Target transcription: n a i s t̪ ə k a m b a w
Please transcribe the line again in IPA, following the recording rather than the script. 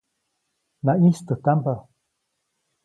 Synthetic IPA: n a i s t̪ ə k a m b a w